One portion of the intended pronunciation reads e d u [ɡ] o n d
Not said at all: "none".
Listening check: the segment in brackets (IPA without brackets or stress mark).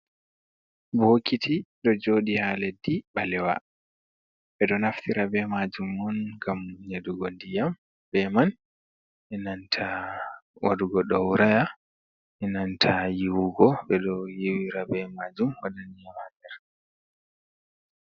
ɡ